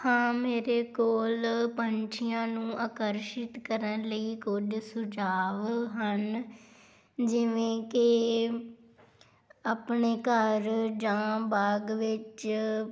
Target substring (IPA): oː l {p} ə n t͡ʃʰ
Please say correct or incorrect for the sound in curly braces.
correct